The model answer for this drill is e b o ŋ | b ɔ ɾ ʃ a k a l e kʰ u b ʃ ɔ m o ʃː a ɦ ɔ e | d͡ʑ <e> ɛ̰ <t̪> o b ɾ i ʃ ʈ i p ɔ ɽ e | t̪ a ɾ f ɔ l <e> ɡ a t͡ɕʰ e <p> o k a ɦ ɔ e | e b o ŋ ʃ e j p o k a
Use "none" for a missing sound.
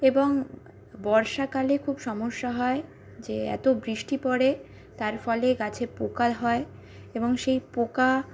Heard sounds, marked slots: e, t̪, e, p

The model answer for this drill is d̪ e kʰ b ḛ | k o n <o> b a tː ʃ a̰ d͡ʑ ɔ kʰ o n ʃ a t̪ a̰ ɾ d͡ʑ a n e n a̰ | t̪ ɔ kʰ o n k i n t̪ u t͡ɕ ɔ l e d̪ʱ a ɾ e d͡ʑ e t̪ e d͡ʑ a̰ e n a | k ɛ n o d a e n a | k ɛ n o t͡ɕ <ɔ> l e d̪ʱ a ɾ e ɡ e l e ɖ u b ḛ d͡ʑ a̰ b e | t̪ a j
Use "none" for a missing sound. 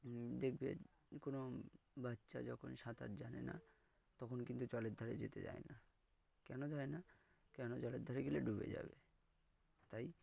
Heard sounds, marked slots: o, ɔ

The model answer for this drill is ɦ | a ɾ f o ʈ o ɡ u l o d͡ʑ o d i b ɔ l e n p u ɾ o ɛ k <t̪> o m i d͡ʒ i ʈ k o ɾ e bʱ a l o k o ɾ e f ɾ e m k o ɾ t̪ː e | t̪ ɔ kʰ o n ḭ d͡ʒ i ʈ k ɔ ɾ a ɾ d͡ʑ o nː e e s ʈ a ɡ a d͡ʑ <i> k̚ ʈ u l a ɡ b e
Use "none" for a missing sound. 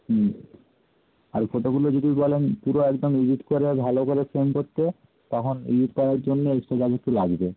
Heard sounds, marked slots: d̪, e

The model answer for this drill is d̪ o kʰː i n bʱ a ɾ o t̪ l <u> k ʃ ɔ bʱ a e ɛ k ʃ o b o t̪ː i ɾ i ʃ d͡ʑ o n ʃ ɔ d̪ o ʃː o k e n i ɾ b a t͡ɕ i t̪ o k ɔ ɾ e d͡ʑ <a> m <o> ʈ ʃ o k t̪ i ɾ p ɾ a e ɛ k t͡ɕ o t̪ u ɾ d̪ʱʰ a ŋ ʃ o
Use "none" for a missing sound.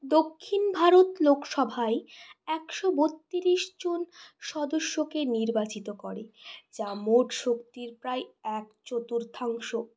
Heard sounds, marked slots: o, a, o

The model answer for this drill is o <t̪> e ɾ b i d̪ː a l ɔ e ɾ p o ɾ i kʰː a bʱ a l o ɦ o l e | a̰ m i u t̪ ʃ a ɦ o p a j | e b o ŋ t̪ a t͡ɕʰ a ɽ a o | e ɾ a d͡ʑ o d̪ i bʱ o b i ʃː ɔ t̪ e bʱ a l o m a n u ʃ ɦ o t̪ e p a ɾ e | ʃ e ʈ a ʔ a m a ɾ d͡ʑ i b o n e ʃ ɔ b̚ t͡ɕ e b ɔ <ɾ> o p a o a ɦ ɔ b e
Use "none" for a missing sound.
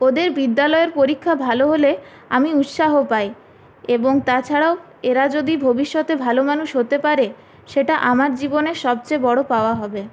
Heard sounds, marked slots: d̪, ɽ

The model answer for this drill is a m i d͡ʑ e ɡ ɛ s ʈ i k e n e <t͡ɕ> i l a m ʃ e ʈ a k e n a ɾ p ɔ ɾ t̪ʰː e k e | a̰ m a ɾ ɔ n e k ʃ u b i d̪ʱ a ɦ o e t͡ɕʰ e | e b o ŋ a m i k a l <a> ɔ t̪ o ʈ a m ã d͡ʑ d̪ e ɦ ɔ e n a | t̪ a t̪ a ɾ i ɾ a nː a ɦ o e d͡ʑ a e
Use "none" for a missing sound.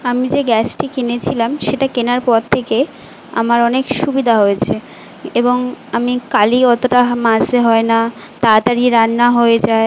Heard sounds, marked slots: t͡ɕʰ, i

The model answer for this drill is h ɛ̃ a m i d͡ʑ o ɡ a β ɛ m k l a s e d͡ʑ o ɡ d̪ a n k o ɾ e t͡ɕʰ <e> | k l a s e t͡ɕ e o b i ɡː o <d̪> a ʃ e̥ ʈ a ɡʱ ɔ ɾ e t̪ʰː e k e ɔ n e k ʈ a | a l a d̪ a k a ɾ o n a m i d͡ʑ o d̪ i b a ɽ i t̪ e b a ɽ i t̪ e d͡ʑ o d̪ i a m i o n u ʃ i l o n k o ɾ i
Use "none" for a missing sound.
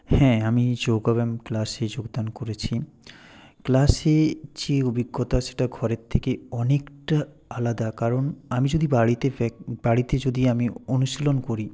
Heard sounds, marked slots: i, t̪

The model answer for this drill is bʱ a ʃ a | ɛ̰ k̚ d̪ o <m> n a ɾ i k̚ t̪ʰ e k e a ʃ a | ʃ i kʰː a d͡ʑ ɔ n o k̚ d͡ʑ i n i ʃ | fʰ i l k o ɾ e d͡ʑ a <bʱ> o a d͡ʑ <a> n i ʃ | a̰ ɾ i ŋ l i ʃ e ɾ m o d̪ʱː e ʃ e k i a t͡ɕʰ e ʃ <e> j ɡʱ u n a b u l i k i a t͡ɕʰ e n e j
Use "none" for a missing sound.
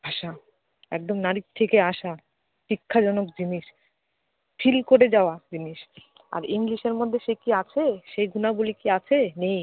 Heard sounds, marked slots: m, none, i, e

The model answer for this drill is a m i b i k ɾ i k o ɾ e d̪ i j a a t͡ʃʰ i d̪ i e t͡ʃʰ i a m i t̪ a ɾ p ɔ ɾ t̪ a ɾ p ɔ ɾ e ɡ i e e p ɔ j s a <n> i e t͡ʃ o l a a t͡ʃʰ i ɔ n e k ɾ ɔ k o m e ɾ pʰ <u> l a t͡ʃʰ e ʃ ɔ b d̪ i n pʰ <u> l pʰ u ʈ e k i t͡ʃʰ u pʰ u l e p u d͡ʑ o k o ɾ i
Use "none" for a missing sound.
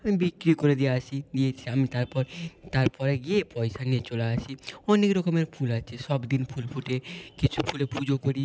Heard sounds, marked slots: n, u, u

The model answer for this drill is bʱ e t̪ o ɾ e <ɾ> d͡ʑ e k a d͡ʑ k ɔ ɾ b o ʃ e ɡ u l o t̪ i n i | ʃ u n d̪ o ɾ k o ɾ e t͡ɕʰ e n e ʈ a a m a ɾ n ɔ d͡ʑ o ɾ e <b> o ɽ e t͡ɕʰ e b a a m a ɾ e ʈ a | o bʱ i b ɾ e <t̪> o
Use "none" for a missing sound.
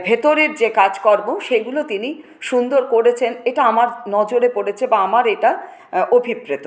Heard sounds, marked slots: ɾ, p, t̪

